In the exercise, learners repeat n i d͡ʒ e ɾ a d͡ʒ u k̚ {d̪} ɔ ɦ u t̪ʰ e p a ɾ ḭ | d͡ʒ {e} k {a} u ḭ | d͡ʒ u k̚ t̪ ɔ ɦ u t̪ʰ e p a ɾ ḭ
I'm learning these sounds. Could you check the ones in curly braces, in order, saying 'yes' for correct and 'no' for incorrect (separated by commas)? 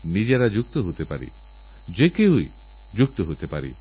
no, yes, no